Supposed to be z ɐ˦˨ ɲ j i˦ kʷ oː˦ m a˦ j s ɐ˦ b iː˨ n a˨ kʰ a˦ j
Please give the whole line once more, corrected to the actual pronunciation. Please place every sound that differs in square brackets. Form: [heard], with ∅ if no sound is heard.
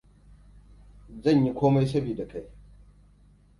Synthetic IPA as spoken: z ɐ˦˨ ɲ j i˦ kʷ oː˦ m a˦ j s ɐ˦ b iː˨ [d] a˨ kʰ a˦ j